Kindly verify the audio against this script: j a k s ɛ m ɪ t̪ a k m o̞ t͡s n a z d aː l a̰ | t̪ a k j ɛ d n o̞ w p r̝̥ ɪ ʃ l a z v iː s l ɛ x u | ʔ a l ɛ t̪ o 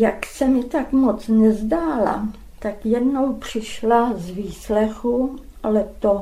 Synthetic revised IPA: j a k s ɛ m ɪ t̪ a k m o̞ t͡s n ɛ z d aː l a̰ | t̪ a k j ɛ d n o̞ w p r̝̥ ɪ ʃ l a z v iː s l ɛ x u | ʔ a l ɛ t̪ o